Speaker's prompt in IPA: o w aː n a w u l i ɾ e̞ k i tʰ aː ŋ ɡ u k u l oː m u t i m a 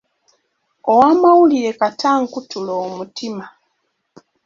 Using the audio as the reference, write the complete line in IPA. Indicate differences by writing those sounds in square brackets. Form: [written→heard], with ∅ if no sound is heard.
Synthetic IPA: o w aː [n→m] a w u l i ɾ e̞ k [i→a] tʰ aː ŋ [ɡ→k] u [k→t] u l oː m u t i m a